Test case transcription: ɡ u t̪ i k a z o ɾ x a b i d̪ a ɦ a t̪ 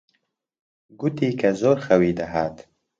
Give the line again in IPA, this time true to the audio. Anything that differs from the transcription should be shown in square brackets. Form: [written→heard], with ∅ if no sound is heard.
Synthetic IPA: ɡ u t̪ i k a z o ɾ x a [b→w] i d̪ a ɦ a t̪